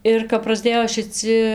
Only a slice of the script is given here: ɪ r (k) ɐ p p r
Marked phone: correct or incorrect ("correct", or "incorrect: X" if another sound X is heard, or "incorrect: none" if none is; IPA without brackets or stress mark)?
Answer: correct